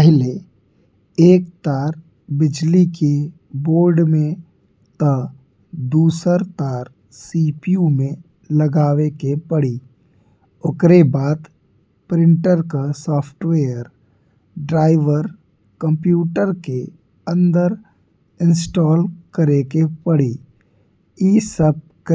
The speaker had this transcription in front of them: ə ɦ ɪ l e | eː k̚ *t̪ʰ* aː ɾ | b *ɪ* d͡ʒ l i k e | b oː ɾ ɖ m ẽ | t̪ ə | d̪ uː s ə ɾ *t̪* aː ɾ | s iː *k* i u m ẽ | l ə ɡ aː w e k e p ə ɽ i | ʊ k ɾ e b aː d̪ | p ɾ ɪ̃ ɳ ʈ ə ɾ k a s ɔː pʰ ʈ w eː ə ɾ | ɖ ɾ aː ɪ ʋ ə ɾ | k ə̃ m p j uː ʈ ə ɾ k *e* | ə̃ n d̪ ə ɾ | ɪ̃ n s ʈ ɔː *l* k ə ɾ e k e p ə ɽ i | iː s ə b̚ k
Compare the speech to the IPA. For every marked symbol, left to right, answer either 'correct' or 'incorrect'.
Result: incorrect, correct, correct, incorrect, correct, correct

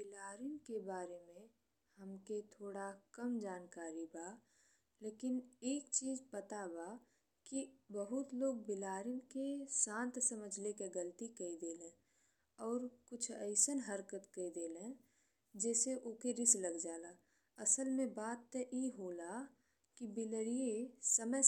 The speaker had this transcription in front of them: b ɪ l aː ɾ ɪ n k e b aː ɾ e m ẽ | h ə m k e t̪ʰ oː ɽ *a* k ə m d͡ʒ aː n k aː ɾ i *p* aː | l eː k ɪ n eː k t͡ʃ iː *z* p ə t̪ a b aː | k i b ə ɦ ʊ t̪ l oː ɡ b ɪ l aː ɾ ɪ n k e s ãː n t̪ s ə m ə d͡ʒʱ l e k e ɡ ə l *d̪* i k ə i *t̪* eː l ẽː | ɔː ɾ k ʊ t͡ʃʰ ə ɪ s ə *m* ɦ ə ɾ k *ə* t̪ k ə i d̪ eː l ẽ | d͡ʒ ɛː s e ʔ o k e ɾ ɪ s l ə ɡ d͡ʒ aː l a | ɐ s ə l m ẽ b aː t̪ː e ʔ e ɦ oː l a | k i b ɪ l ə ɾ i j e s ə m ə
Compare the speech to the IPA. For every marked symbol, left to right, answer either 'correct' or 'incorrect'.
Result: correct, incorrect, correct, incorrect, incorrect, incorrect, correct

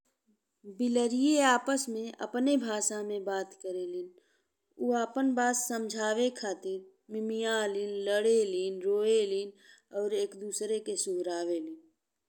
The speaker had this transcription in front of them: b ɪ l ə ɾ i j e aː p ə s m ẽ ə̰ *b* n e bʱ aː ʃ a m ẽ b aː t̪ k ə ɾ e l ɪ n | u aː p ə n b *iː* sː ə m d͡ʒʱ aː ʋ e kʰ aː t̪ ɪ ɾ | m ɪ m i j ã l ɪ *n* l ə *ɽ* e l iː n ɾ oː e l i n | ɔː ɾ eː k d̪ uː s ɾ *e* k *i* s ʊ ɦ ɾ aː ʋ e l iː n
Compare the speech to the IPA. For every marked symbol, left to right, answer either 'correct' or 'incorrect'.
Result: incorrect, incorrect, correct, correct, correct, incorrect

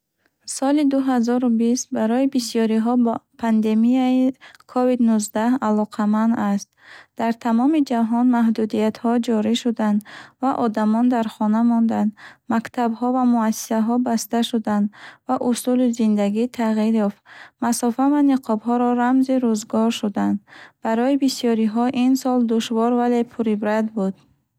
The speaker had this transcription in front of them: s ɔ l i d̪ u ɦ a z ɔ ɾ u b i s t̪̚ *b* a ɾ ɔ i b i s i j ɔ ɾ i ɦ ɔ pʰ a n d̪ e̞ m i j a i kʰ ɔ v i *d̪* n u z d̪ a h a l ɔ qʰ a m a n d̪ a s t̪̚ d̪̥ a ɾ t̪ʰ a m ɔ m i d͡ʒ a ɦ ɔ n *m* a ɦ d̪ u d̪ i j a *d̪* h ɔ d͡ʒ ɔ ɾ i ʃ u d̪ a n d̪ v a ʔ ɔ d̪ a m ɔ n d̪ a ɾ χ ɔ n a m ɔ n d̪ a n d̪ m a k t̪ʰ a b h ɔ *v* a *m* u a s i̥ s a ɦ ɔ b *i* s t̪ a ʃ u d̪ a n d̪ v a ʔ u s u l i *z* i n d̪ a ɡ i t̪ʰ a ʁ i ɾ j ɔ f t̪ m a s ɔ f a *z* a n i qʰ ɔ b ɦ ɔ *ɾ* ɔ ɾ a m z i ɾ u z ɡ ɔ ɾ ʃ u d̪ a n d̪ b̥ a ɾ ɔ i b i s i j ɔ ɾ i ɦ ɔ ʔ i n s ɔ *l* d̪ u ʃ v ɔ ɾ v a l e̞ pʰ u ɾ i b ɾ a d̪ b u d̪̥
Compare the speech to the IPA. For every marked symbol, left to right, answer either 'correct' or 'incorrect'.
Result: correct, correct, correct, incorrect, correct, correct, incorrect, correct, incorrect, correct, correct

